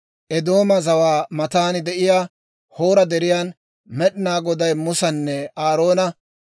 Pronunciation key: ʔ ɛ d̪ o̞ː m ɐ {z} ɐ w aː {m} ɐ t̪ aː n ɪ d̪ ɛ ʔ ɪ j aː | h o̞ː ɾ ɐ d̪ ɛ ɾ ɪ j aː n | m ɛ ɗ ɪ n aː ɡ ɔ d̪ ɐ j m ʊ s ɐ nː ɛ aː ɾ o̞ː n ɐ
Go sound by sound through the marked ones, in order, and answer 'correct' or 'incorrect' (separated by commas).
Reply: correct, correct